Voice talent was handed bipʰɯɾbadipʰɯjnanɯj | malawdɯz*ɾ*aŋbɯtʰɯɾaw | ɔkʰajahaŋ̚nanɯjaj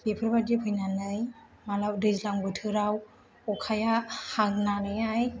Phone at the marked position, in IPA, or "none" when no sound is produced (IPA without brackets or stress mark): l